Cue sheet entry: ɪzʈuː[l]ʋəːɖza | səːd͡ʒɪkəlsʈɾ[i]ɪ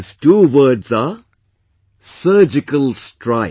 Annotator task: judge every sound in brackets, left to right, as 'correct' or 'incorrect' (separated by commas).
incorrect, incorrect